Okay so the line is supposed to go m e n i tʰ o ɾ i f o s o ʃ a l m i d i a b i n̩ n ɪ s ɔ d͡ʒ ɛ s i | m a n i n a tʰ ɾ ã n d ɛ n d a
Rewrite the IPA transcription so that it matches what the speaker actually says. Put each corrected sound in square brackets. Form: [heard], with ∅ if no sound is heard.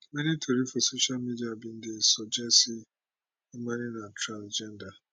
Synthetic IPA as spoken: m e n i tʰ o ɾ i f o s o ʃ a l m i d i a b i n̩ [d] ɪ s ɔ d͡ʒ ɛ s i | m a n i n a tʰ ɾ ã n [d͡ʒ] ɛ n d a